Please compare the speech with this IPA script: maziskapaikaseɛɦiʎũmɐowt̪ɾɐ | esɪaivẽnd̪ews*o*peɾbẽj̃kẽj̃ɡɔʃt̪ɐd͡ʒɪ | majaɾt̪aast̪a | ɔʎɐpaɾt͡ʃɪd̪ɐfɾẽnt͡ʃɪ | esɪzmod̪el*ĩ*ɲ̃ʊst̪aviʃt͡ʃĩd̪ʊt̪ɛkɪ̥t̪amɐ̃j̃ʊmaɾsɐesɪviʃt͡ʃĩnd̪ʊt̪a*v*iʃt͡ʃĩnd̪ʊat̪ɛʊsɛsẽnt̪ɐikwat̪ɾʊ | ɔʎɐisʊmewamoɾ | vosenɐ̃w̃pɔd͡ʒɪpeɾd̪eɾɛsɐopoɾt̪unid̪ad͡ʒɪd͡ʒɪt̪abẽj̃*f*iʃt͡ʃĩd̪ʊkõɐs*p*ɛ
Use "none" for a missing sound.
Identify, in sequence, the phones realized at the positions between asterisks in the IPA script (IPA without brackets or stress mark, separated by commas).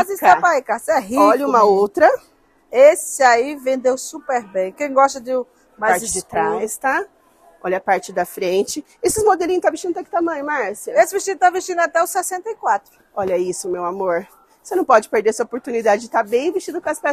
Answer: u, i, v, v, p